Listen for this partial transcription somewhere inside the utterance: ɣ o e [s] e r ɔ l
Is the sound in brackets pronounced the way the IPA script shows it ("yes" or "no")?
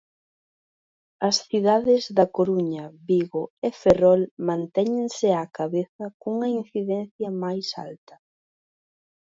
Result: no